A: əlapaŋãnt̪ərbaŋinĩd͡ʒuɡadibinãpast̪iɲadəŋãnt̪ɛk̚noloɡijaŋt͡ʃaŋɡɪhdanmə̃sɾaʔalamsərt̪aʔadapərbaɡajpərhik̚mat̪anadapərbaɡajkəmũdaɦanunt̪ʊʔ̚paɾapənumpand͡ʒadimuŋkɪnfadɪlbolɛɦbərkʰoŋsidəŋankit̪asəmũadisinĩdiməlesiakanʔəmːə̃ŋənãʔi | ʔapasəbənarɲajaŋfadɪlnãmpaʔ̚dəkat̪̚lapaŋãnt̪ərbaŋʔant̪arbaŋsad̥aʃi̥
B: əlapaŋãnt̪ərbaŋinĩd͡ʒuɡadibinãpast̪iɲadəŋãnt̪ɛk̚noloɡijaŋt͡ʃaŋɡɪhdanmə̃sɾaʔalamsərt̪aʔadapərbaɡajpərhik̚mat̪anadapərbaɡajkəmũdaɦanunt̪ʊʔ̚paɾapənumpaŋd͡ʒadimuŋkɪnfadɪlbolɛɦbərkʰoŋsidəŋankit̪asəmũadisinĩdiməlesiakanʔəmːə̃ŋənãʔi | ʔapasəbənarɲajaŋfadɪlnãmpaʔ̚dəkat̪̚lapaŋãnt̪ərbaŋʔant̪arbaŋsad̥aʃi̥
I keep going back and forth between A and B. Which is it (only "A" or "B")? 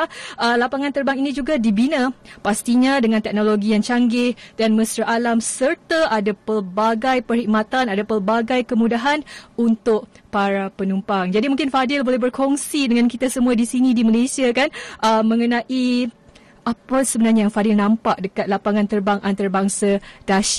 B